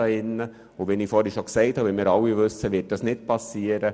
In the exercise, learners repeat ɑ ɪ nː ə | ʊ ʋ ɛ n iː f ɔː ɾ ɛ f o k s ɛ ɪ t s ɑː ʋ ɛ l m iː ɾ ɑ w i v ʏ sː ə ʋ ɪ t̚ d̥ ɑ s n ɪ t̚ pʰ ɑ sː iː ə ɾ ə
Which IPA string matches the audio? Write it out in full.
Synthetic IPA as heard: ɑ ɪ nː ə | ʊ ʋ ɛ n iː f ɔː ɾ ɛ ʃ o k s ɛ ɪ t h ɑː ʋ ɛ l m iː ɾ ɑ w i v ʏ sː ə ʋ ɪ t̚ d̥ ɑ s n ɪ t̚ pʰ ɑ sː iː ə ɾ ə